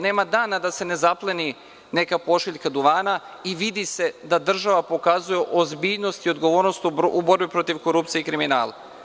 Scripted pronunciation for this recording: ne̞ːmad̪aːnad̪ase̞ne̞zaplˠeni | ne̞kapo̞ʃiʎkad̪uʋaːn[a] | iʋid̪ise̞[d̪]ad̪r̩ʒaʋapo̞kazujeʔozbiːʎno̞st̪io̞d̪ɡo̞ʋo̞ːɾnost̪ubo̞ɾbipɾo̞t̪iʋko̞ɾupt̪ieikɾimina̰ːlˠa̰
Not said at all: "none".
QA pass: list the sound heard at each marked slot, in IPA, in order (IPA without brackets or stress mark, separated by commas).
a, d̪